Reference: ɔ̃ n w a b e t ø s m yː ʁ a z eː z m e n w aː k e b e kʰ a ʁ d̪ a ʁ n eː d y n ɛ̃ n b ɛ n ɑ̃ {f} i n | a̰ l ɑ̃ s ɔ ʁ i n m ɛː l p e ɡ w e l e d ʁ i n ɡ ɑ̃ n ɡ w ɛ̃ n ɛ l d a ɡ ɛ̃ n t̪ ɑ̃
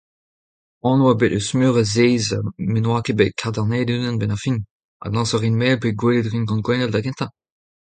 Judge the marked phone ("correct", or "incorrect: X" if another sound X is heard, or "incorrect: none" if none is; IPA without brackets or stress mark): correct